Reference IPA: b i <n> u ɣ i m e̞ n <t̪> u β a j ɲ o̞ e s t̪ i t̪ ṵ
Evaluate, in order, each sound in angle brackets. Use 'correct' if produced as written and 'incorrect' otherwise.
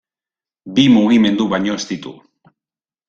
incorrect: m, incorrect: d̪

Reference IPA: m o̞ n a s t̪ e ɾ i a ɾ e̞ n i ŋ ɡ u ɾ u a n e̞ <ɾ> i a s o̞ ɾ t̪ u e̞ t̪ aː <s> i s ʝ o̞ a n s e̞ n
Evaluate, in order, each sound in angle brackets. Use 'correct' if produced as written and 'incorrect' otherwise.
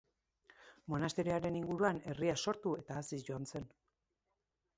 incorrect: r, correct

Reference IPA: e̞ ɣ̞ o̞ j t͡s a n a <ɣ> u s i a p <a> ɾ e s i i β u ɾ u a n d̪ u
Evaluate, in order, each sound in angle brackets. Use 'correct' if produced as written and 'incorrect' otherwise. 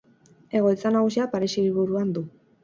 correct, correct

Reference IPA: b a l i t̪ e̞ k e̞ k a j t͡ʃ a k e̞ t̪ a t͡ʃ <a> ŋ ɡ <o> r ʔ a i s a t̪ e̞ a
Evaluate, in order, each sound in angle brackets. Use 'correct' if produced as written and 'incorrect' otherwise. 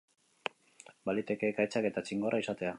incorrect: i, correct

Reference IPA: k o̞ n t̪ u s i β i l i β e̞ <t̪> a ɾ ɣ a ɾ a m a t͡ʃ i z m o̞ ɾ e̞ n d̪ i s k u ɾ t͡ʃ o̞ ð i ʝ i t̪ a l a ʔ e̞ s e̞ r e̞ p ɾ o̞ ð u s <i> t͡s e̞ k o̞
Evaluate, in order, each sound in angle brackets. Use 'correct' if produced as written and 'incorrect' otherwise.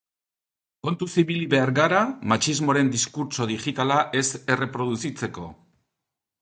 incorrect: none, correct

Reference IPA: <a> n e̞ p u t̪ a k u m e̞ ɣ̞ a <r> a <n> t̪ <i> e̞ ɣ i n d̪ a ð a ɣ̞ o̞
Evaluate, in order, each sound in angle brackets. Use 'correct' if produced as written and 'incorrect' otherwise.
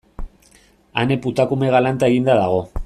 correct, incorrect: l, correct, incorrect: a

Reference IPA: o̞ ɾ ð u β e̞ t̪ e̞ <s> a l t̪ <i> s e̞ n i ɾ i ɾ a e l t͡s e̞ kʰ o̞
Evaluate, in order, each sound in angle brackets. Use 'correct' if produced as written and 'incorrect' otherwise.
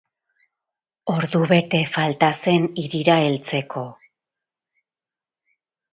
incorrect: f, incorrect: a

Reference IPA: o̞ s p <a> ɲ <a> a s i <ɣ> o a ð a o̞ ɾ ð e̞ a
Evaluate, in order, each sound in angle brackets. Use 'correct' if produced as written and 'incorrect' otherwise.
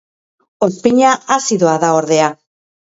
incorrect: i, correct, incorrect: ð

